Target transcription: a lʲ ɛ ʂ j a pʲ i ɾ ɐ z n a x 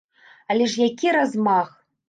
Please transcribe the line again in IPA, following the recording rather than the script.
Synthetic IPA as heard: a lʲ ɛ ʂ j a kʲ i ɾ a z m a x